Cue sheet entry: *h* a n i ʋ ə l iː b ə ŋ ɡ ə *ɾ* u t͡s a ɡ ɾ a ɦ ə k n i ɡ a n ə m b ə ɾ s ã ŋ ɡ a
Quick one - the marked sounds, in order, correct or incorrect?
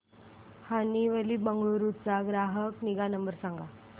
correct, correct

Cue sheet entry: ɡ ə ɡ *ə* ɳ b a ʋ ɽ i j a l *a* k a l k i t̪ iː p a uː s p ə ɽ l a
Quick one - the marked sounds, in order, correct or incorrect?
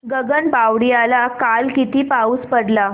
correct, correct

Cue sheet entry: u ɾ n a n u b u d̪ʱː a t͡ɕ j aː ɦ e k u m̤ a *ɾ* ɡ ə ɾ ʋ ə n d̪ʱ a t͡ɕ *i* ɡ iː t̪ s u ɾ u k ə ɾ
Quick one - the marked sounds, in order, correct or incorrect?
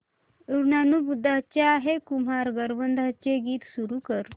correct, incorrect: e

